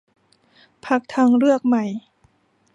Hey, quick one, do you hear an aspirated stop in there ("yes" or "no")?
yes